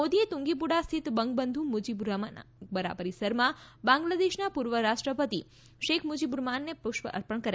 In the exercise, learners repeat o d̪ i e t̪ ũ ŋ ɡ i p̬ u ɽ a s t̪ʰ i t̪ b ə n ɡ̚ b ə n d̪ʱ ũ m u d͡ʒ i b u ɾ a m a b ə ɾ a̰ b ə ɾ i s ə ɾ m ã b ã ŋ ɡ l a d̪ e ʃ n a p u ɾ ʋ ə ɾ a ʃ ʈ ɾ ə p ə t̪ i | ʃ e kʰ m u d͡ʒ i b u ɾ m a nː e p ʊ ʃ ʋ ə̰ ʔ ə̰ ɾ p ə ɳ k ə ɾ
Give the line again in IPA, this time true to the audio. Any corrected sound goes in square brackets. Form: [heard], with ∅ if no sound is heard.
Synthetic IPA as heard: o d̪ i e t̪ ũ ŋ ɡ i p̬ u ɽ a s t̪ʰ i t̪ b ə [ŋ] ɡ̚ b ə n d̪ʱ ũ m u d͡ʒ i b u ɾ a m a b ə ɾ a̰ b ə ɾ i s ə ɾ m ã b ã ŋ ɡ l a d̪ e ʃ n a p u ɾ ʋ ə ɾ a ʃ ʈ ɾ ə p ə t̪ i | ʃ e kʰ m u d͡ʒ i b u ɾ m a nː e p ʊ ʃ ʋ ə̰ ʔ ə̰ ɾ p ə ɳ k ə ɾ

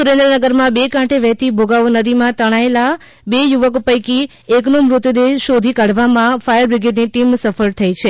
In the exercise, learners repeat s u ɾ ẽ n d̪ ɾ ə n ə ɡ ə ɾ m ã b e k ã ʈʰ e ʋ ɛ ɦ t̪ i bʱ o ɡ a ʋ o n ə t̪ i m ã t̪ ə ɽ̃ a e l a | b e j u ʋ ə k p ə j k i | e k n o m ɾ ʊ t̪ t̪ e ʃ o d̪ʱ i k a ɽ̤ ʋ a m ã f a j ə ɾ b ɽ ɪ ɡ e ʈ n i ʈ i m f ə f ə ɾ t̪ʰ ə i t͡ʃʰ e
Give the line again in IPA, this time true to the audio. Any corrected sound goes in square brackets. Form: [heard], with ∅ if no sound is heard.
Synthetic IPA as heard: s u ɾ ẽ n d̪ ɾ ə n ə ɡ ə ɾ m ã b e k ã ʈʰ e ʋ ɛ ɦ t̪ i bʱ o ɡ a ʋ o n ə [d̪] i m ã t̪ ə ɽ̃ a e l a | b e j u ʋ ə k p ə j k i | e k n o m ɾ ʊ t̪ [d̪] e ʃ o d̪ʱ i k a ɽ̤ ʋ a m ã f a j ə ɾ b [ɾ] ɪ ɡ e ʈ n i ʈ i m [s] ə f ə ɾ t̪ʰ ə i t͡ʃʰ e

